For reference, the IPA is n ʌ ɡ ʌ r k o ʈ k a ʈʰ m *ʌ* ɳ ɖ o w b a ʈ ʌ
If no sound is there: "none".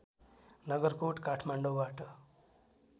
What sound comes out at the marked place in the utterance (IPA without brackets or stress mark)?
a